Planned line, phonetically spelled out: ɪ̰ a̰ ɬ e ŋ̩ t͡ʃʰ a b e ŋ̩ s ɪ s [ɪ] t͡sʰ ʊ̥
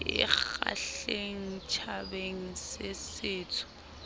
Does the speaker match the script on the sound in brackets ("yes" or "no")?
no